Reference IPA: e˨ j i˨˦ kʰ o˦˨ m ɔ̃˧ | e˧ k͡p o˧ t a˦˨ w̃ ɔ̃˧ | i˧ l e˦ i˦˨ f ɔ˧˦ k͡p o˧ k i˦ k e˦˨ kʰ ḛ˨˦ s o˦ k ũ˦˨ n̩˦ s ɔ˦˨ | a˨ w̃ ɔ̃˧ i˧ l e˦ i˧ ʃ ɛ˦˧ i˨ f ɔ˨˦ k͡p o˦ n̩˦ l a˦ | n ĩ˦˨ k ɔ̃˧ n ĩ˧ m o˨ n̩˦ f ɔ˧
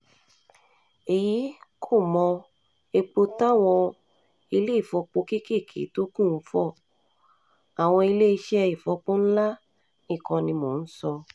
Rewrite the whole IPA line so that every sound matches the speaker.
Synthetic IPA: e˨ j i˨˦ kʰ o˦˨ m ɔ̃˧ | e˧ k͡p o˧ t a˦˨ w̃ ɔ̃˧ | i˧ l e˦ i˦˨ f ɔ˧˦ k͡p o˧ k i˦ k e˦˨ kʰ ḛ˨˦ t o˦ k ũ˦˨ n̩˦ f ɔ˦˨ | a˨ w̃ ɔ̃˧ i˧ l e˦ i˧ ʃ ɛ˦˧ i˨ f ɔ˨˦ k͡p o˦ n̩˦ l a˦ | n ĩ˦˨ k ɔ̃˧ n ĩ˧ m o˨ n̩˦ s ɔ˧